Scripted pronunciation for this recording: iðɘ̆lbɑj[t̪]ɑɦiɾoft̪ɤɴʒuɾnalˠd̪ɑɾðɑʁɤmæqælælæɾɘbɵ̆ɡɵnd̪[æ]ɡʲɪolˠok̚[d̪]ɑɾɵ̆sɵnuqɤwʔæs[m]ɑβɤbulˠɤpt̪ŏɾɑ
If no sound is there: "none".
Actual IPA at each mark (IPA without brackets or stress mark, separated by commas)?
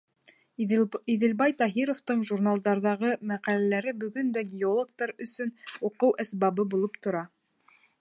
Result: t̪, æ, t̪, b